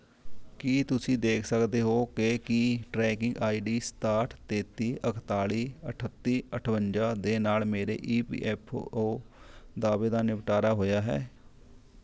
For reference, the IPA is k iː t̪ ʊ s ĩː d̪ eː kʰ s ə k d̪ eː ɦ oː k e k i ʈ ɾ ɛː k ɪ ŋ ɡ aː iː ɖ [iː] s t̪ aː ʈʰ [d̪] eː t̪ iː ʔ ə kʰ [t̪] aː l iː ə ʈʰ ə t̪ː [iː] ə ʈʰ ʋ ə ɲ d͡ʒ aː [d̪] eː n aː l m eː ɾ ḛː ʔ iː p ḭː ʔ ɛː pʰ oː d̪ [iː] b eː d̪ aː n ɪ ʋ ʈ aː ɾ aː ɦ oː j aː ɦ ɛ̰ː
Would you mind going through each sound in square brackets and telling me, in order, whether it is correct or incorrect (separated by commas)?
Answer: correct, incorrect, correct, correct, correct, incorrect